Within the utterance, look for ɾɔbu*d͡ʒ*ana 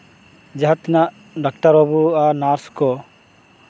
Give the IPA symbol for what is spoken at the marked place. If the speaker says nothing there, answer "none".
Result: none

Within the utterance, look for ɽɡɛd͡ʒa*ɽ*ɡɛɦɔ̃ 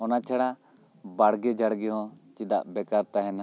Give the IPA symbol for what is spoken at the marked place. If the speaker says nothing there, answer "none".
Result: ɽ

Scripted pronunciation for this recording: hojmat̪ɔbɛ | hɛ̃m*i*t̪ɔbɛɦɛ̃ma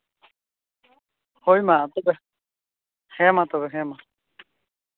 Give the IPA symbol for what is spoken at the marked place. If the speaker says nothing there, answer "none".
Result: a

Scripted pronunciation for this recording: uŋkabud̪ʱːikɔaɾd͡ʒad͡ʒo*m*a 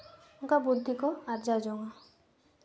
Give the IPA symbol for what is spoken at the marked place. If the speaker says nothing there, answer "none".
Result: ŋ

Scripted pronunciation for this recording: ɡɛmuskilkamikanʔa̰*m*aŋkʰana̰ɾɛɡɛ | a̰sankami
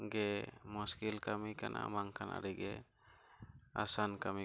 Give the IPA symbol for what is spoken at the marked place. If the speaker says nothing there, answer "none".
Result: m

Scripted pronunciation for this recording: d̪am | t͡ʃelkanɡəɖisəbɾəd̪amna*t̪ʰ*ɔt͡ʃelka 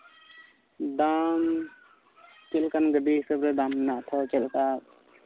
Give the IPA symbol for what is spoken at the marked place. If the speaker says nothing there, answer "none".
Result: t̪ʰ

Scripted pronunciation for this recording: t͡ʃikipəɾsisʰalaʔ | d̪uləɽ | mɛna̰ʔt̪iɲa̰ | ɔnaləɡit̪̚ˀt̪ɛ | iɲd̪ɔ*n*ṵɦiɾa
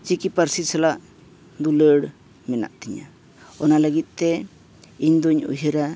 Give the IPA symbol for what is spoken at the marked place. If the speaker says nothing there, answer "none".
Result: ɲ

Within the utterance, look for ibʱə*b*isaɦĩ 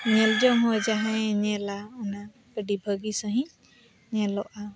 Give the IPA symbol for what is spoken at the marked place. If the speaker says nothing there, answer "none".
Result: ɡ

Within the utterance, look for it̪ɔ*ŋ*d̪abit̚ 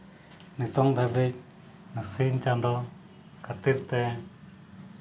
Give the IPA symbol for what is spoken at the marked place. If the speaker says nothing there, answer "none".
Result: ŋ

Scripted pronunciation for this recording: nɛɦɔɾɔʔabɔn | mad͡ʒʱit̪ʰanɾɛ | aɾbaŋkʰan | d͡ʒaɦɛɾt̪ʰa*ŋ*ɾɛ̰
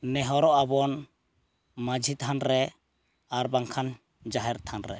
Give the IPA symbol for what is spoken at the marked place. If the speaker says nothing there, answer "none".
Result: n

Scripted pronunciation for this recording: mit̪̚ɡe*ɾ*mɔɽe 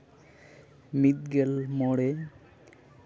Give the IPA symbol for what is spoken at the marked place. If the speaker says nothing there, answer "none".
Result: l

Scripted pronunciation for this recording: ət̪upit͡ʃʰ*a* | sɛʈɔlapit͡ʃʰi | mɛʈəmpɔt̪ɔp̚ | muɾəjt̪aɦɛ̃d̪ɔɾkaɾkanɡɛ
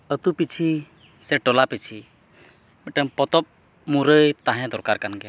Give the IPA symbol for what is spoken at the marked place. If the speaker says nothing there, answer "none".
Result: i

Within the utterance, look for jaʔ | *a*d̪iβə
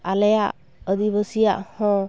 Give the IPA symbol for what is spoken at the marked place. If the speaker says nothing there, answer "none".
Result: ə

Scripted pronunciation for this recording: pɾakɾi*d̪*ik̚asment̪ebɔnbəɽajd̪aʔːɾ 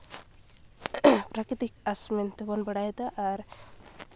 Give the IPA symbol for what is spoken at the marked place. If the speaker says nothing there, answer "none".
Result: t̪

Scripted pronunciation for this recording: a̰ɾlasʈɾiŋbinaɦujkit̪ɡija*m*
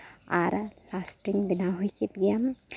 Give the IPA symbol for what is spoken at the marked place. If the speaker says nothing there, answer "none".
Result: m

